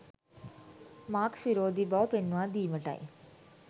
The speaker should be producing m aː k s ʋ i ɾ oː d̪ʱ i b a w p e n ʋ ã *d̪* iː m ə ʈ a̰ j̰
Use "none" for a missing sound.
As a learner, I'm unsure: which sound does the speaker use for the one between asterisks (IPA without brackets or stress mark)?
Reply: d̪